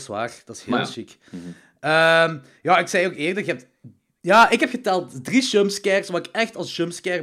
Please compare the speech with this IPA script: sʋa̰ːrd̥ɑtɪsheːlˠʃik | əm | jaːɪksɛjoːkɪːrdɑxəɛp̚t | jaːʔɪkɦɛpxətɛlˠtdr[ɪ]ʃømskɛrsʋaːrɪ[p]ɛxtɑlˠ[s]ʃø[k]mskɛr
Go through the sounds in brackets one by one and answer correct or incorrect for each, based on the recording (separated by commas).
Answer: incorrect, incorrect, correct, incorrect